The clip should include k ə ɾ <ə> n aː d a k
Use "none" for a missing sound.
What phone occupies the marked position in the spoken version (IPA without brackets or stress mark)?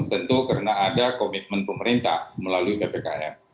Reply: ə